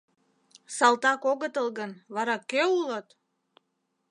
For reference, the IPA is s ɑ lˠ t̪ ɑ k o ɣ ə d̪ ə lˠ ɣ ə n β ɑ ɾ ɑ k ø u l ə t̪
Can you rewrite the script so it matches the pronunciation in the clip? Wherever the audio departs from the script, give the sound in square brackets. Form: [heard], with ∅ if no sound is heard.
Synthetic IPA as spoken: s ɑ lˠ t̪ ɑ k o ɣ ə [t̪] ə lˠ ɣ ə n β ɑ ɾ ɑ k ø u l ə t̪